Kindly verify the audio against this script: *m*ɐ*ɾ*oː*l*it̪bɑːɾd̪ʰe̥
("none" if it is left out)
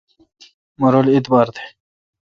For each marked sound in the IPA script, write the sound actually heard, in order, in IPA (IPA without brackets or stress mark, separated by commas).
m, ɾ, l